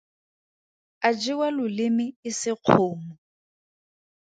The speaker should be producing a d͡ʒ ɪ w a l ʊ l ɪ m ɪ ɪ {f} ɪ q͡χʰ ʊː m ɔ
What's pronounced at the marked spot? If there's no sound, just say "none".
s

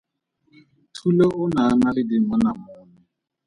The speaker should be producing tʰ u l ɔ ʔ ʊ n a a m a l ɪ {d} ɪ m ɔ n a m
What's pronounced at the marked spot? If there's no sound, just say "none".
d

